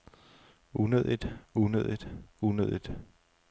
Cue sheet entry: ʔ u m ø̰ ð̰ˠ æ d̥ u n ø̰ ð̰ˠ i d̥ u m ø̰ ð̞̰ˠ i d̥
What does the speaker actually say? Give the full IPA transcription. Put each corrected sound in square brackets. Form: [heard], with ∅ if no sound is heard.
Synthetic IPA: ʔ u [n] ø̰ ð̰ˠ [i] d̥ u n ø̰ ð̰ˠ i d̥ u [n] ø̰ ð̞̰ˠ i d̥